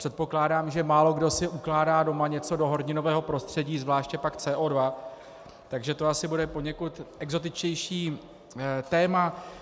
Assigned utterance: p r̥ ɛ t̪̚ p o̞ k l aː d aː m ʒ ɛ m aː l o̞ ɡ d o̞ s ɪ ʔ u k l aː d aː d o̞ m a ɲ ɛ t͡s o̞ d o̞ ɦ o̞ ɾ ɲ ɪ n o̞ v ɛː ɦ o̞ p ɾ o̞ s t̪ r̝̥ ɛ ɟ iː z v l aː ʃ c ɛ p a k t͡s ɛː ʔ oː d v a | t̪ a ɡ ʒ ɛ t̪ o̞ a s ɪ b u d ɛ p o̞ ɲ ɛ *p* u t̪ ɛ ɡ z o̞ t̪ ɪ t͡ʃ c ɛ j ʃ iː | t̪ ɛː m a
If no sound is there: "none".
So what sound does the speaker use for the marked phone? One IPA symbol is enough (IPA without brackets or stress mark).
k